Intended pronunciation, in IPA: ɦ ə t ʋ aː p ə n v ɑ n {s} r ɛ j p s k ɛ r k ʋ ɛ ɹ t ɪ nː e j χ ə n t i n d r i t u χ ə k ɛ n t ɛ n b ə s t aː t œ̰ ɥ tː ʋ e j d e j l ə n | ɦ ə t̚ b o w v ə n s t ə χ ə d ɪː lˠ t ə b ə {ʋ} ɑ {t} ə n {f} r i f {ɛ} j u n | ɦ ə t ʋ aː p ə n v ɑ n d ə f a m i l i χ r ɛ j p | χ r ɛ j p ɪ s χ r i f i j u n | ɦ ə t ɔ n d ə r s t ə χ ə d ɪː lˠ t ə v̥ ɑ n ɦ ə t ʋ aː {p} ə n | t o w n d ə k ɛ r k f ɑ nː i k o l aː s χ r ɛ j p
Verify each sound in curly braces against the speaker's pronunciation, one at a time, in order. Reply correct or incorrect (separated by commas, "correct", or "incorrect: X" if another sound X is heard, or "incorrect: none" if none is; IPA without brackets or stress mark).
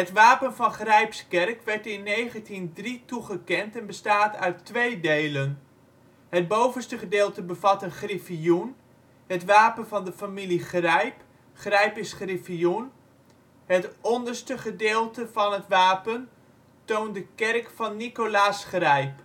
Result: incorrect: χ, incorrect: v, correct, incorrect: χ, incorrect: i, correct